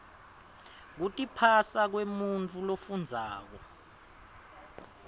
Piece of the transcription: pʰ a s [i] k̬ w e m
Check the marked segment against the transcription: incorrect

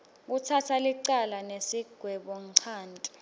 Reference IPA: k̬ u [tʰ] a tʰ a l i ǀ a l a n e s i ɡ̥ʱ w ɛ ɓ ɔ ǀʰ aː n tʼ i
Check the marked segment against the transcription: correct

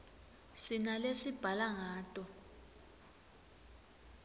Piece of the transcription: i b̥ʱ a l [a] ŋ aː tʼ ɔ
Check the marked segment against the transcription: correct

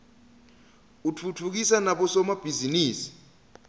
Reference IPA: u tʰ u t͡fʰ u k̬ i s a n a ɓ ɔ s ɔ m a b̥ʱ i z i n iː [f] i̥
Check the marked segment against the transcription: incorrect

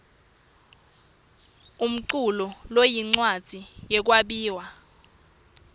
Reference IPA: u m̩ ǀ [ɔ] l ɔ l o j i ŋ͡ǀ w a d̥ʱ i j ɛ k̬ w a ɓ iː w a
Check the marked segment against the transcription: incorrect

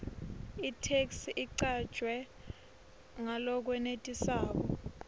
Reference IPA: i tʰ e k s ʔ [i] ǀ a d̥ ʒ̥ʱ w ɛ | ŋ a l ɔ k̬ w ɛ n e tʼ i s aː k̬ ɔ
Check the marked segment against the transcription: correct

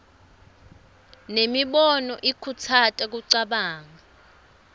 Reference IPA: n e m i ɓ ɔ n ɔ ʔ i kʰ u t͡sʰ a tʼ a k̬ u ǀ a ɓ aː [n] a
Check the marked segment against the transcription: incorrect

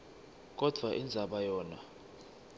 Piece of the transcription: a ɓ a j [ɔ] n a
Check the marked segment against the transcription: incorrect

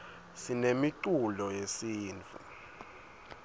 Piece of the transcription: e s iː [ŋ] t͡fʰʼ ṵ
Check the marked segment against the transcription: incorrect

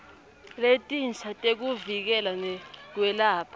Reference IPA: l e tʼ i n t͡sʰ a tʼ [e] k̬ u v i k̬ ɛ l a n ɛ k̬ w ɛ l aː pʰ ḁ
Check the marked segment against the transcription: correct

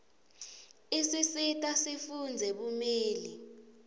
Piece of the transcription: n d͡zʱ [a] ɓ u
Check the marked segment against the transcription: incorrect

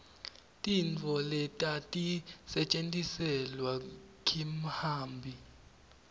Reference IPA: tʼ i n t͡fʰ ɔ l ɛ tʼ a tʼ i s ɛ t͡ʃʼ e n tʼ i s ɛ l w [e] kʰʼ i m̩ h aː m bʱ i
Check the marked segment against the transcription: incorrect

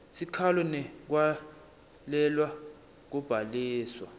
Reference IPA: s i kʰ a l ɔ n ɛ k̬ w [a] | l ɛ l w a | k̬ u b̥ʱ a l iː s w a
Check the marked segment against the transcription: correct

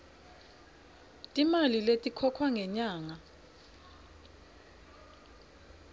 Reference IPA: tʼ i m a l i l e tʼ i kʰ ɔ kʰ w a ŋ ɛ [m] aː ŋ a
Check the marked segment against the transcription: incorrect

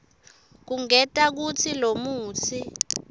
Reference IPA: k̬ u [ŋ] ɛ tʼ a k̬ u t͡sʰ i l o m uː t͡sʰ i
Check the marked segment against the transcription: correct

